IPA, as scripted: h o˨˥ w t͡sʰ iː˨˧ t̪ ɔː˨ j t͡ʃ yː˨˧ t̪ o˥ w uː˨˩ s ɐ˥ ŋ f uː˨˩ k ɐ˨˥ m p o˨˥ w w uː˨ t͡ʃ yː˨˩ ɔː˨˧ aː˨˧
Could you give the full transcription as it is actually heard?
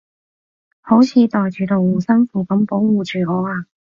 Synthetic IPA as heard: h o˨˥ w t͡sʰ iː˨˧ t̪ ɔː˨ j t͡ʃ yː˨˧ t̪ o˨ w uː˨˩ s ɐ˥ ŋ f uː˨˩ k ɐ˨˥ m p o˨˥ w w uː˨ t͡ʃ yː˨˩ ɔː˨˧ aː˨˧